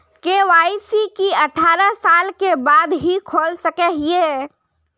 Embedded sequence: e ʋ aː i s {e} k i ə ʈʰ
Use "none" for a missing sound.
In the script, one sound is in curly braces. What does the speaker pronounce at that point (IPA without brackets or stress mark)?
i